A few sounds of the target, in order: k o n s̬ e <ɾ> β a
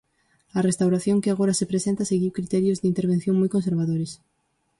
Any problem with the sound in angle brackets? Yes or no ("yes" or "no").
no